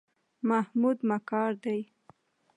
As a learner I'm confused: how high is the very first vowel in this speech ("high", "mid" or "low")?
low